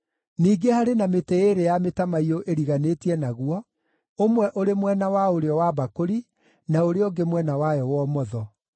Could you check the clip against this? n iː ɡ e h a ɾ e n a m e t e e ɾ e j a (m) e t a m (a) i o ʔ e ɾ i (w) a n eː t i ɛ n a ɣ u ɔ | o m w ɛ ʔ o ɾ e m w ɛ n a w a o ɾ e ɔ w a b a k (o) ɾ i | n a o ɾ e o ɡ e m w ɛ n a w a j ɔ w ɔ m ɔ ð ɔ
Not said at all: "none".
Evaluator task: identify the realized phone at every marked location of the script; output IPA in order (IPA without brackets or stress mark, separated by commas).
m, a, ɣ, o